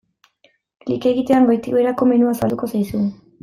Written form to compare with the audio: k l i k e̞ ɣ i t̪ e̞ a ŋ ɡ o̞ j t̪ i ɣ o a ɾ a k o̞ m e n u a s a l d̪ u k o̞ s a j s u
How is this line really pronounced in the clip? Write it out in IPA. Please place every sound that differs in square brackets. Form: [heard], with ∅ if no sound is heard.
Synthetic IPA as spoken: k l i k e̞ ɣ i t̪ e̞ a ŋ ɡ o̞ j t̪ i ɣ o [e] ɾ a k o̞ m e n u a s a l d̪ u k o̞ s a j s u